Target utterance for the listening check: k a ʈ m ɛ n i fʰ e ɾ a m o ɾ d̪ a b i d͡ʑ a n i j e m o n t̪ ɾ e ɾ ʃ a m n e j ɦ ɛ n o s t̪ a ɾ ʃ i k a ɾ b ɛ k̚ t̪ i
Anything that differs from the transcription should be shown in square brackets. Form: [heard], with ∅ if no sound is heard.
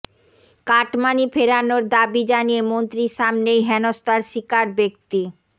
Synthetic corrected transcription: k a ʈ m [a] n i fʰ e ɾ a [n] o ɾ d̪ a b i d͡ʑ a n i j e m o n t̪ ɾ [i] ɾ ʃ a m n e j ɦ ɛ n o s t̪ a ɾ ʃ i k a ɾ b [e] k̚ t̪ i